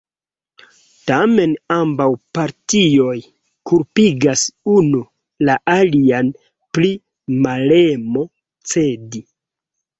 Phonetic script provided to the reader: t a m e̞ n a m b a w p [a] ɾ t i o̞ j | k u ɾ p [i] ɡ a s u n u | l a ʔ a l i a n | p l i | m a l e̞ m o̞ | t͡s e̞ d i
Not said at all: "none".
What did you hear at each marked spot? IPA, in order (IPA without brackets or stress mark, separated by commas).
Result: a, i